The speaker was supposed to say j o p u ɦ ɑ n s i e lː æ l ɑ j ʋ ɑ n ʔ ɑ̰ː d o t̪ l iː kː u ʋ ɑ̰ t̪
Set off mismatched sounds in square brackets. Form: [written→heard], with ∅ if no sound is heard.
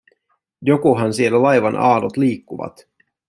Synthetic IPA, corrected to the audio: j o [p→k] u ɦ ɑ n s i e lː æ l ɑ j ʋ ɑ n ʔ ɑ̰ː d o t̪ l iː kː u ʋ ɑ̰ t̪

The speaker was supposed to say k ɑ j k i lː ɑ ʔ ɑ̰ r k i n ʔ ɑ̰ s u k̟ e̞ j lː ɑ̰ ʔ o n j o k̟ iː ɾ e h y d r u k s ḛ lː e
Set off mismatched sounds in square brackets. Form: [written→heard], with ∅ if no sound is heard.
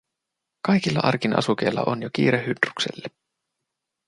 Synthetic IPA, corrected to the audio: k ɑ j k i lː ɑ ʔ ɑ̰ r k i n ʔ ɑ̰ s u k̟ e̞ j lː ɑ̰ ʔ o n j o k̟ iː ɾ e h y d r u k s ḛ lː e

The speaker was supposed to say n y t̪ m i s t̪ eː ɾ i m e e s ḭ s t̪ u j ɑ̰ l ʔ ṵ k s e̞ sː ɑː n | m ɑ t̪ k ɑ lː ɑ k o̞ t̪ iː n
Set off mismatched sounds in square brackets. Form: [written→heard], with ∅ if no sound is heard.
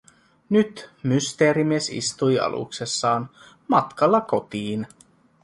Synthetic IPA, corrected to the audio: n y t̪ m [i→y] s t̪ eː ɾ i m [e→i] e s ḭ s t̪ u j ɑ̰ l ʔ ṵ k s e̞ sː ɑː n | m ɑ t̪ k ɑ lː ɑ k o̞ t̪ iː n

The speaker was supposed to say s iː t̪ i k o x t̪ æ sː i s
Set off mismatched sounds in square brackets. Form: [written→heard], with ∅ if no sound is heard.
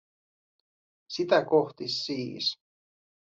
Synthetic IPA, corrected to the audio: s [iː→i] t̪ [i→æ] k o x t̪ [æ→i] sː [i→iː] s

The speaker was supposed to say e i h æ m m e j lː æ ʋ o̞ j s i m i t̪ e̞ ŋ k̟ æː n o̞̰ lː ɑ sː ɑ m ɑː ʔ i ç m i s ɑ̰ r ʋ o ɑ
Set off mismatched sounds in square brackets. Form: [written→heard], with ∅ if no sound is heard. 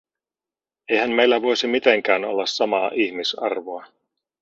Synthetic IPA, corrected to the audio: e [i→j] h æ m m e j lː æ ʋ o̞ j s i m i t̪ e̞ ŋ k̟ æː n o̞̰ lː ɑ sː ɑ m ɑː ʔ i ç m i s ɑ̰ r ʋ o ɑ

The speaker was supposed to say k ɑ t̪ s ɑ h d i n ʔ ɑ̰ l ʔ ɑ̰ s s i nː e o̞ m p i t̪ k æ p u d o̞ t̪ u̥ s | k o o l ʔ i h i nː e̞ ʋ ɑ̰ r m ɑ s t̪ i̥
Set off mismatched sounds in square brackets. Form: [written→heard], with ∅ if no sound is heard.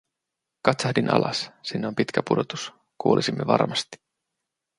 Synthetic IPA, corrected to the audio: k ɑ t̪ s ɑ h d i n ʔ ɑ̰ l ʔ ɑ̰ s s i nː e o̞ m p i t̪ k æ p u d o̞ t̪ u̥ s | k [o→u] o l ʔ i [h→s] i [nː→mː] e̞ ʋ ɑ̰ r m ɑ s t̪ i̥

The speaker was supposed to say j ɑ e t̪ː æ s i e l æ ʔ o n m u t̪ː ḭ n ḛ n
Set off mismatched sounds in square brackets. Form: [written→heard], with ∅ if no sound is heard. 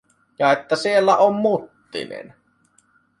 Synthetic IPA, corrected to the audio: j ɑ e t̪ː æ s i e [l→lː] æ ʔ o [n→m] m u t̪ː ḭ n ḛ n

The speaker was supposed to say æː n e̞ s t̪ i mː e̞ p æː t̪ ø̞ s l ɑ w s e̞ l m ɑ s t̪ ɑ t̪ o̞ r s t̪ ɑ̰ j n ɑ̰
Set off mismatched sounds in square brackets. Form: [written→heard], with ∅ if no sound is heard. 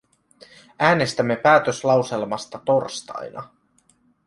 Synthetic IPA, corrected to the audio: æː n e̞ s t̪ [i→æ] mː e̞ p æː t̪ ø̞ s l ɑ w s e̞ l m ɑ s t̪ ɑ t̪ o̞ r s t̪ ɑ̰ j n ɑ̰

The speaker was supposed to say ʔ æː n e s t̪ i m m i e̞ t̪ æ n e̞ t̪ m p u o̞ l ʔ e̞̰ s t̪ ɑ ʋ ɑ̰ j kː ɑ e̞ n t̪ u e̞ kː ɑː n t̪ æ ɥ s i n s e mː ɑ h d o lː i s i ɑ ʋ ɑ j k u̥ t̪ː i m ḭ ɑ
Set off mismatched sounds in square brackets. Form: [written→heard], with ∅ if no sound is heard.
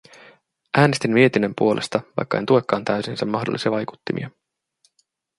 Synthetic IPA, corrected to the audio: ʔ æː n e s t̪ i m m i e̞ t̪ [æ→i] n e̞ [t̪→∅] m p u o̞ l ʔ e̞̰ s t̪ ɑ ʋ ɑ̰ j kː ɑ e̞ n t̪ u e̞ kː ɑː n t̪ æ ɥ s i n s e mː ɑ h d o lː i s i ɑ ʋ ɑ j k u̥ t̪ː i m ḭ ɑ

